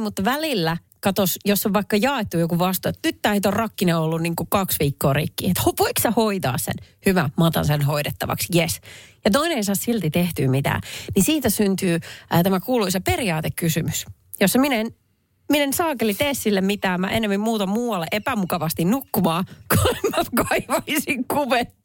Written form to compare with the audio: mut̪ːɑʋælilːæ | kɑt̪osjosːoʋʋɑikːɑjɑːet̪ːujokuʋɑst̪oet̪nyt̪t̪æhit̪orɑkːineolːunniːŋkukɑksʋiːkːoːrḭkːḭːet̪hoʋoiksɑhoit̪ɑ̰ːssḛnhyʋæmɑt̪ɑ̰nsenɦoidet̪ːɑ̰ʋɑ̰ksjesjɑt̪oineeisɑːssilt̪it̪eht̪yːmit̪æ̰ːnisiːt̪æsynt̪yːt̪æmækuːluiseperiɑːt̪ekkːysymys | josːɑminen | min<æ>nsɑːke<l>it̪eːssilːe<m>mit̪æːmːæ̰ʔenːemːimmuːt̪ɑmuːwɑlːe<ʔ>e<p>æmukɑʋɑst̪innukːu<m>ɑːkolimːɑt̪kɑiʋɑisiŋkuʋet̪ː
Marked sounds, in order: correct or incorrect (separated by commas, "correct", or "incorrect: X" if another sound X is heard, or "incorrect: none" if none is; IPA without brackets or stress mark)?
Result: incorrect: e, correct, correct, correct, correct, correct